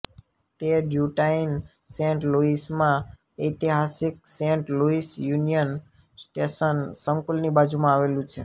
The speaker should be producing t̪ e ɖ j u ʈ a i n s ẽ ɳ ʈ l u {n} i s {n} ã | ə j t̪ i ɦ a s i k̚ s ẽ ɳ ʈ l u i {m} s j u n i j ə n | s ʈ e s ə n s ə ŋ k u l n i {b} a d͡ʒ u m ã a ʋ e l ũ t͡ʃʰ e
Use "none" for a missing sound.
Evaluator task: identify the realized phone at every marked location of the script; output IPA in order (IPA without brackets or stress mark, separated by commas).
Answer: none, m, none, b